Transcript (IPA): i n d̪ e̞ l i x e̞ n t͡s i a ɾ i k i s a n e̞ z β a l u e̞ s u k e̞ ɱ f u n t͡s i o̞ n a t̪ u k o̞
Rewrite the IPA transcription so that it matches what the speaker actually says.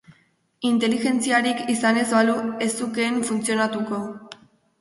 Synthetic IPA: i n t̪ e̞ l i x e̞ n t͡s i a ɾ i k i s a n e̞ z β a l u e̞ s u k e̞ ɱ f u n t͡s i o̞ n a t̪ u k o̞